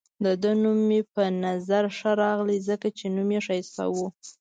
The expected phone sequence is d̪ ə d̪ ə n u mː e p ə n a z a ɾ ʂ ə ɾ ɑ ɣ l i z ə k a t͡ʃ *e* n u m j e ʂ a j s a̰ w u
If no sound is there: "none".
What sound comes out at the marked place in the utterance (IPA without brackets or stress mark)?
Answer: e